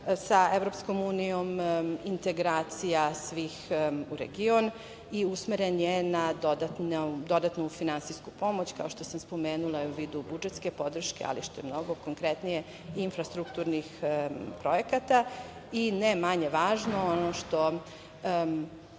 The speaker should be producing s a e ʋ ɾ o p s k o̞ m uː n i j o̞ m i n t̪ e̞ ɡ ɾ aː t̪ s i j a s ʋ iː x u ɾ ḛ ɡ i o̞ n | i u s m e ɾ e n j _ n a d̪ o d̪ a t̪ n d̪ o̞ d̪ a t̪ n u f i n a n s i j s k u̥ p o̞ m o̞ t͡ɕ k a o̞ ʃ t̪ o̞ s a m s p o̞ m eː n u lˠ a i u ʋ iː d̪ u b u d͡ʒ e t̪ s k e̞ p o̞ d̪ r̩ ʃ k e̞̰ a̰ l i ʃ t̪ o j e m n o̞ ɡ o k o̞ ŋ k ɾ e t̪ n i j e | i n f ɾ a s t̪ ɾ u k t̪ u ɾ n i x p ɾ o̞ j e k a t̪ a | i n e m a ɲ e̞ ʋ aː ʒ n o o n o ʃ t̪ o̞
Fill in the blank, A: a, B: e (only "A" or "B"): B